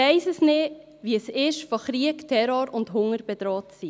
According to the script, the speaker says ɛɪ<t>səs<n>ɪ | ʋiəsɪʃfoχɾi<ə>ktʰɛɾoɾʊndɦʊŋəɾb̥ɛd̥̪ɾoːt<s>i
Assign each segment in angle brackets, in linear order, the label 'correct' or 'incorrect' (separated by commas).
incorrect, correct, correct, correct